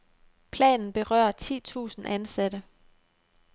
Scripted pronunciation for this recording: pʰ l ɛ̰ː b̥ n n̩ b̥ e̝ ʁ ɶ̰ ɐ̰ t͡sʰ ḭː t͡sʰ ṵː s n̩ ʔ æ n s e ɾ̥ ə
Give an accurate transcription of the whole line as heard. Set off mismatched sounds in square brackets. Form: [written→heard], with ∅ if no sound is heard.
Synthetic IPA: pʰ l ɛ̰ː [b̥→∅] n n̩ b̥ e̝ ʁ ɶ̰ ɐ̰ t͡sʰ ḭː t͡sʰ ṵː s n̩ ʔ æ n s [e→æ] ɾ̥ ə